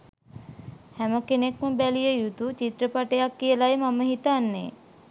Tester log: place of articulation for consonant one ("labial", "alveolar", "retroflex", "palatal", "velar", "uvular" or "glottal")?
glottal